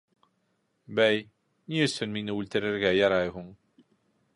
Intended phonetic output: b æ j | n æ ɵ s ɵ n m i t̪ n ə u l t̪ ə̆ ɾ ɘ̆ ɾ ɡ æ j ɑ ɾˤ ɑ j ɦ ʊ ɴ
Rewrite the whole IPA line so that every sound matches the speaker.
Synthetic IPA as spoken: b æ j | n i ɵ s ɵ n m i n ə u l t̪ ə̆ ɾ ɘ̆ ɾ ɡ æ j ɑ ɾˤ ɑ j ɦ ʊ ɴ